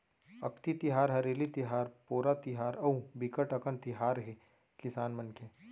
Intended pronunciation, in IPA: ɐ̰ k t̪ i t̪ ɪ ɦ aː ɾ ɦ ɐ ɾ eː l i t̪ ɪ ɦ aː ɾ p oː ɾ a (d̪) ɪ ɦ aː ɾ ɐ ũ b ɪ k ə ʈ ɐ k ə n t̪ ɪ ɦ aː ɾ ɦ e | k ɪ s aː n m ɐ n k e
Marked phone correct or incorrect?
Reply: incorrect